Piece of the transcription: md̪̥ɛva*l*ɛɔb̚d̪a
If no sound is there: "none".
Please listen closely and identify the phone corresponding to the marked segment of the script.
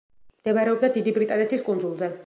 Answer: ɾ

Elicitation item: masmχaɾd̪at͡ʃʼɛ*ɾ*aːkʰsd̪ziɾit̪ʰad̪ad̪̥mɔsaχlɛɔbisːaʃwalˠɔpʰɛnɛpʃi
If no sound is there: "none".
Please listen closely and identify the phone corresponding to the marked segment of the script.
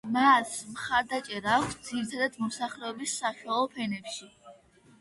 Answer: ɾ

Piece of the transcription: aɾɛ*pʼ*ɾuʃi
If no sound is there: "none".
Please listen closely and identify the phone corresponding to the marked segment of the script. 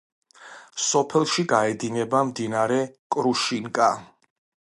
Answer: kʼ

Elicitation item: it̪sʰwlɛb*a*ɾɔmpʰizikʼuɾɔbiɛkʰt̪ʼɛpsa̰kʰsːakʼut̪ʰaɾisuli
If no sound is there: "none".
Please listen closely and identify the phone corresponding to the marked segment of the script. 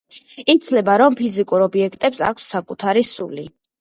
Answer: a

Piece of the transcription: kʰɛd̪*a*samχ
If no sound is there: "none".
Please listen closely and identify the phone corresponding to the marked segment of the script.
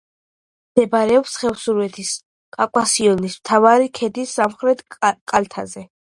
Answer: i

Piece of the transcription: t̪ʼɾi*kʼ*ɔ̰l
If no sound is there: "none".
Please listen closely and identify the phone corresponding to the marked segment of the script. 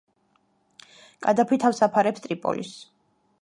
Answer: pʼ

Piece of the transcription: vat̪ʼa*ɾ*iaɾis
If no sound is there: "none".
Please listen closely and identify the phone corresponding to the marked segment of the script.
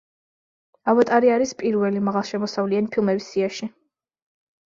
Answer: ɾ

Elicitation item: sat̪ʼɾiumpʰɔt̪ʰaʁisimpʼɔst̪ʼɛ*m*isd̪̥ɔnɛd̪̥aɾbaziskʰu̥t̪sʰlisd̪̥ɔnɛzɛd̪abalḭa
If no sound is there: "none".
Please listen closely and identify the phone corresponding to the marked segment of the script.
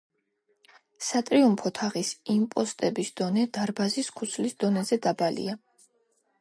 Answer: b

